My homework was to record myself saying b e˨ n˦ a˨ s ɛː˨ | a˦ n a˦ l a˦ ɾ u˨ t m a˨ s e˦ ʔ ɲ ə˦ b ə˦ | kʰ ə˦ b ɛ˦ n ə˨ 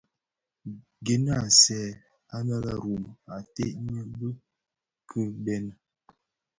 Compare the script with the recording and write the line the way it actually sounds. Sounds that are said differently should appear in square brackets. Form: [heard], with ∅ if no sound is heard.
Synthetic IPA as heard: [ɡ] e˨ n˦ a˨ s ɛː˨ | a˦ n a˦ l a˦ ɾ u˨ [∅] m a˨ [t] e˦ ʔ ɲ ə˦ b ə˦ | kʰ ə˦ b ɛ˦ n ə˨